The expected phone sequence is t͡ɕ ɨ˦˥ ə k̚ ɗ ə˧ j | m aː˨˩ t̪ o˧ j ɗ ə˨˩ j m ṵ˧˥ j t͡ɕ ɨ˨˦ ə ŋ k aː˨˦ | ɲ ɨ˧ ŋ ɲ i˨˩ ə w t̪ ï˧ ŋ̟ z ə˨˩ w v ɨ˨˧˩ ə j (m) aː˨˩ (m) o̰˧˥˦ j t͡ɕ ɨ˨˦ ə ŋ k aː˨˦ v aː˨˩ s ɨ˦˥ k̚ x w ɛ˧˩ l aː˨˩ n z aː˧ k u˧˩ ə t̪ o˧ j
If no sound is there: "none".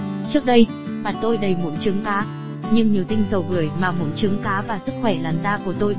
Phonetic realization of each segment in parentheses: m, m

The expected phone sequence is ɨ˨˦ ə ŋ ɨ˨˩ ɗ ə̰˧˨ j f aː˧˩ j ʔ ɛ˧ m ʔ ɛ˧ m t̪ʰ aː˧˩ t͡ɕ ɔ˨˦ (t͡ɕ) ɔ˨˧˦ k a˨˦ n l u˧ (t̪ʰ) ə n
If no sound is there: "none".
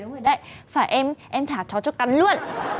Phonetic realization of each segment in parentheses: t͡ɕ, none

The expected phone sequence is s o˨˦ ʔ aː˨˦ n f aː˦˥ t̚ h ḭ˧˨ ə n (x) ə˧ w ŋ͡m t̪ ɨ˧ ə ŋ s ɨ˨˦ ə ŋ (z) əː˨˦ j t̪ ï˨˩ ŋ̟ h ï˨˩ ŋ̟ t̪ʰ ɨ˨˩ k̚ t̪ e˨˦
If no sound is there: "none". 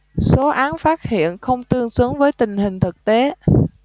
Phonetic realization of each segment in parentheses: x, v

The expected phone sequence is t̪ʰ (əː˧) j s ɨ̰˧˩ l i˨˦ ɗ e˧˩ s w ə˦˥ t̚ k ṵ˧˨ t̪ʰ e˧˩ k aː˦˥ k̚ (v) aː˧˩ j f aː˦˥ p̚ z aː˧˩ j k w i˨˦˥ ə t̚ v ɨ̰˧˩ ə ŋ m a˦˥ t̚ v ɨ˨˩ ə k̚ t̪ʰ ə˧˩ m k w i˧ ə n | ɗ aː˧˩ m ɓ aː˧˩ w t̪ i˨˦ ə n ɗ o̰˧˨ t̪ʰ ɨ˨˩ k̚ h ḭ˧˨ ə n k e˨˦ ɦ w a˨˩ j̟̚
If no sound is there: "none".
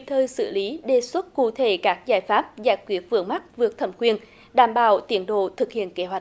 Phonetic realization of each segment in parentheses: əː˧, z

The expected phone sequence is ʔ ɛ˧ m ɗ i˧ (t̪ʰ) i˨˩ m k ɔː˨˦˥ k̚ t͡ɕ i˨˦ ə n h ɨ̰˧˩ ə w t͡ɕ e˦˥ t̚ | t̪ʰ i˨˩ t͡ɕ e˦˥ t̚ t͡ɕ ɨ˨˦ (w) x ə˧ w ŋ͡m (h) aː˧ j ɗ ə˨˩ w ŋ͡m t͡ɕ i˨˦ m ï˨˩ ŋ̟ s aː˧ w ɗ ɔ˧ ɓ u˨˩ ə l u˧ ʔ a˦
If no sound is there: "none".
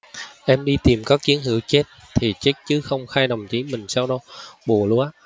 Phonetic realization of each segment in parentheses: t̪, none, x

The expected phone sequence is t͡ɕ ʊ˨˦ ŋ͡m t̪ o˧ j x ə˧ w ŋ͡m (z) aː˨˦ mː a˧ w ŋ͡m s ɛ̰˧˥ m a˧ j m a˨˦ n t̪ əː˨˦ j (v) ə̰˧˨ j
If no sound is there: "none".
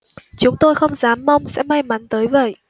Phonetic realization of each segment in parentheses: z, v

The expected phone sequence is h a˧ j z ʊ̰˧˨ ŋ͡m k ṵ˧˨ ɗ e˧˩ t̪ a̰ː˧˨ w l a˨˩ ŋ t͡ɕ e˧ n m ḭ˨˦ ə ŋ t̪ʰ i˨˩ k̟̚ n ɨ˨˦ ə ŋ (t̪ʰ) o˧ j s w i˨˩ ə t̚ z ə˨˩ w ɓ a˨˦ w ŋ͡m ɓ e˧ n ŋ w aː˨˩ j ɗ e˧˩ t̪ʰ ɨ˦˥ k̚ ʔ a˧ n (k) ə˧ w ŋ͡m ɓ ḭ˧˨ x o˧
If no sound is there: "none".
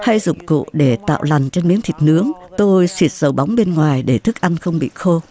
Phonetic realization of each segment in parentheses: t̪, x

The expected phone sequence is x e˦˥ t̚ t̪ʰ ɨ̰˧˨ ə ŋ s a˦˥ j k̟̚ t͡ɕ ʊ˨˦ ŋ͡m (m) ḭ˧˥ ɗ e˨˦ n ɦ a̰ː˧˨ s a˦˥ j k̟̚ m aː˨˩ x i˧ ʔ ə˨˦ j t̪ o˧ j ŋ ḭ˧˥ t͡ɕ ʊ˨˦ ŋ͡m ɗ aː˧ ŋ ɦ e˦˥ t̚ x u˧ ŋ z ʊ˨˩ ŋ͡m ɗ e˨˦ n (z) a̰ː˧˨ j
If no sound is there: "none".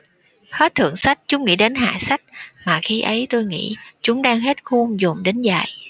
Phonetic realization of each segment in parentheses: ŋ, z

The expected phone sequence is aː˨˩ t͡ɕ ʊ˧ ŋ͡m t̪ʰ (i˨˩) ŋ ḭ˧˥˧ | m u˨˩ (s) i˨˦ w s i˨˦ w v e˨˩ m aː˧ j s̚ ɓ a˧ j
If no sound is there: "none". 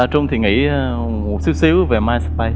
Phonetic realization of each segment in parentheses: i˨˩, s

